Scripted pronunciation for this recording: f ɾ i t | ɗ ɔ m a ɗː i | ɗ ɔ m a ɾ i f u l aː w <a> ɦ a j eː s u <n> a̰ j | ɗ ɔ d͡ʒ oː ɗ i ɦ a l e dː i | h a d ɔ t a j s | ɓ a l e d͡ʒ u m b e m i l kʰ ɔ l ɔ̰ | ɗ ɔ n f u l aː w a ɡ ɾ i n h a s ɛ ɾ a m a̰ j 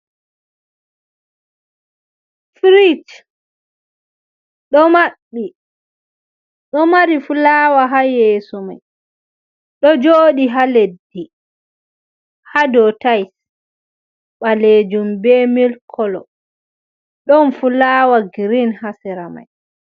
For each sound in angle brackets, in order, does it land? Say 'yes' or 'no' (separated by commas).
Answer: yes, no